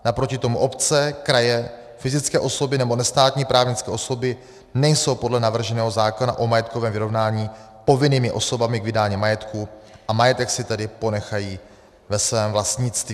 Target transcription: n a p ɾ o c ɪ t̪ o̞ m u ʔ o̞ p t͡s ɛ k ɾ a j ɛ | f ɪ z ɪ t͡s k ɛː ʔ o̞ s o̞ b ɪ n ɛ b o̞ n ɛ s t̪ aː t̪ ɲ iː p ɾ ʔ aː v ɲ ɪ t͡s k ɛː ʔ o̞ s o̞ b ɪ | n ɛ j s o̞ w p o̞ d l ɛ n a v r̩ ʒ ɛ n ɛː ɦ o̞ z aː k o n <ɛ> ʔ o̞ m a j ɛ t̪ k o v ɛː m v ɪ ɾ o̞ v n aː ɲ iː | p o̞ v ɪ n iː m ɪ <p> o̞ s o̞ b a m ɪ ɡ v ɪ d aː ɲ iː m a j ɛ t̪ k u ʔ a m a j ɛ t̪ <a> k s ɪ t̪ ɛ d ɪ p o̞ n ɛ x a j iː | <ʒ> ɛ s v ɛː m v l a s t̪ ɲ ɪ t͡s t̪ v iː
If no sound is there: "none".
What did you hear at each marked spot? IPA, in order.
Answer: a, ʔ, ɛ, v

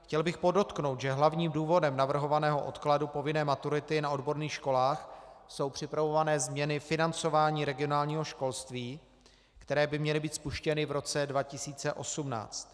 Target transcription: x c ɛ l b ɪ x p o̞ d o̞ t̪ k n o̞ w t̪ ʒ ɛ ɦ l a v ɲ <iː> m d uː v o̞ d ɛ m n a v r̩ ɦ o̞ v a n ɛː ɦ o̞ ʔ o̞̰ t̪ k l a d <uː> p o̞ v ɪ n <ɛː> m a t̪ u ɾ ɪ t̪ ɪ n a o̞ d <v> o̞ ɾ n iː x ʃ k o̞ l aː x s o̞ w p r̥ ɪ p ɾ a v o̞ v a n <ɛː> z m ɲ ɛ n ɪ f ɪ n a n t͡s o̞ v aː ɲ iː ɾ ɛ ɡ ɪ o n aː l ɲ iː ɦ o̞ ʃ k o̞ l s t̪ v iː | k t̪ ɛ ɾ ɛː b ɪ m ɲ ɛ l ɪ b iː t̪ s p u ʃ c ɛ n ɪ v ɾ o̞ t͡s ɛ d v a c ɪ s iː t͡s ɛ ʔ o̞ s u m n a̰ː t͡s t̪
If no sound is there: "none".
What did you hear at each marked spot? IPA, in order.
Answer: iː, u, ɛː, b, ɛː

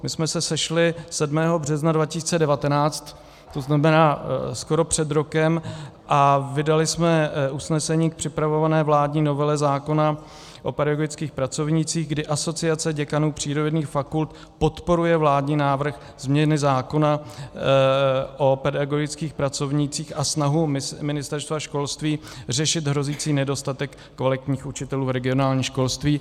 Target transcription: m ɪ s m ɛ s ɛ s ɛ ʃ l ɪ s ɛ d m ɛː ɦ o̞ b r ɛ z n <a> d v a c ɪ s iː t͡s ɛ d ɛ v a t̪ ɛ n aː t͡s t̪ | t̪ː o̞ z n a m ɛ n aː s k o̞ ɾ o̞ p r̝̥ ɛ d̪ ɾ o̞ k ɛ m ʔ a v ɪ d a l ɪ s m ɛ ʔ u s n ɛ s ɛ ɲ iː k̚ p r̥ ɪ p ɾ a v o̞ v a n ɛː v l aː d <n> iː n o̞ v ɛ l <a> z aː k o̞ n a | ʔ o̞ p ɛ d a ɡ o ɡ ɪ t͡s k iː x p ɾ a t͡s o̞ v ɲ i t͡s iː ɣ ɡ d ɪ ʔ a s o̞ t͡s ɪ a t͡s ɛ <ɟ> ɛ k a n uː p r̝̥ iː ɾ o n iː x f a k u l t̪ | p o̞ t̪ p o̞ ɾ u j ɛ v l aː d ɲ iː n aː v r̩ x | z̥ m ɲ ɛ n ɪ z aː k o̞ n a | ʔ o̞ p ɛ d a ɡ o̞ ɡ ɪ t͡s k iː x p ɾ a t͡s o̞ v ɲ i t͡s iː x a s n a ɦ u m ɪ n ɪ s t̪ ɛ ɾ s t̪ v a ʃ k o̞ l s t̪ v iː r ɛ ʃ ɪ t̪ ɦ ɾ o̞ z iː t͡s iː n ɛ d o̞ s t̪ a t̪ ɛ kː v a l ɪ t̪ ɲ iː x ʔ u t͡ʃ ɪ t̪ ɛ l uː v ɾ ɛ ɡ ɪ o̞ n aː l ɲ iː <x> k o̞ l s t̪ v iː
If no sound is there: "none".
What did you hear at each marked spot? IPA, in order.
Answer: a, ɲ, ɛ, ɟ, ʃ

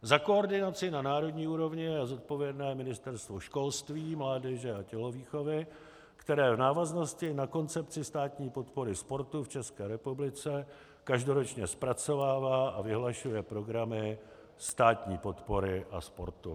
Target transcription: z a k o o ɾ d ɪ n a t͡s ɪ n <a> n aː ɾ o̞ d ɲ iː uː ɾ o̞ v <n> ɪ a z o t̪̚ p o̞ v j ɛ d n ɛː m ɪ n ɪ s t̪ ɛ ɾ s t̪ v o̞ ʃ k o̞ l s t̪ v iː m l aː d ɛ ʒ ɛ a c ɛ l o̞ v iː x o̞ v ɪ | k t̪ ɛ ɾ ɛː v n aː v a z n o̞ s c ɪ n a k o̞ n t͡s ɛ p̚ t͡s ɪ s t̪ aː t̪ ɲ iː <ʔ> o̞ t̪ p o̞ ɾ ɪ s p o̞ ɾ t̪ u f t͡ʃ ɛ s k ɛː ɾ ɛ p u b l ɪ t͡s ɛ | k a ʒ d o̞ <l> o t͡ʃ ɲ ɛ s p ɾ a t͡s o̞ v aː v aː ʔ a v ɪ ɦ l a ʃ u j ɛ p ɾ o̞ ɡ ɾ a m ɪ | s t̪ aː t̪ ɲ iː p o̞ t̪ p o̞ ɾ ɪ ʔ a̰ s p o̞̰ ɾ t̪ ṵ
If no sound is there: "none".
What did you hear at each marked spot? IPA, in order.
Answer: a, ɲ, p, ɾ

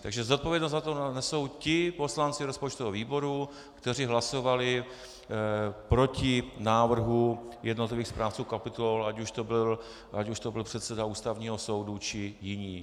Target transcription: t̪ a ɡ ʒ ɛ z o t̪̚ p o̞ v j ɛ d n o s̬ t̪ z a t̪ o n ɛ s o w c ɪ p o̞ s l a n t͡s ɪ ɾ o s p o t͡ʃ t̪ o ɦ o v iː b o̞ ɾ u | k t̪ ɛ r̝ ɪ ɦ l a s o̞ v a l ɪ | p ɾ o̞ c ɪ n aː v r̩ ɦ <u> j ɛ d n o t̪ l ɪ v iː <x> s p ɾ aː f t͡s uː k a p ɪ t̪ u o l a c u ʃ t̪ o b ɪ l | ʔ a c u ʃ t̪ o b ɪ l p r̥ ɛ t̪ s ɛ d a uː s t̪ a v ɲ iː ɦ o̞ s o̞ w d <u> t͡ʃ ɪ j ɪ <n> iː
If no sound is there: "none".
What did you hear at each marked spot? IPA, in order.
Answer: u, x, u, ɲ

